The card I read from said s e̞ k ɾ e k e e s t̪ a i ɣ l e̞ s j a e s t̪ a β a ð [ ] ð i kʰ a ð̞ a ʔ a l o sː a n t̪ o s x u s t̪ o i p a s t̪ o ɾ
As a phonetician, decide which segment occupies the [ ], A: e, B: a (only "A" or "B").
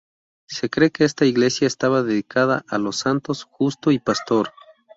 A